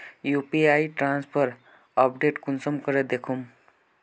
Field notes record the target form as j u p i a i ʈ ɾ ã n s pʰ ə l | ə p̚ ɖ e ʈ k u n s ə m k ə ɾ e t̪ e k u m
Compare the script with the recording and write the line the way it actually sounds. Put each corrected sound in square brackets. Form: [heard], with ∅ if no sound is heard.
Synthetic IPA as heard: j u p i a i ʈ ɾ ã n s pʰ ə [ɾ] | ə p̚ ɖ e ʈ k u n s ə m k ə ɾ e [d̪] e [kʰ] u m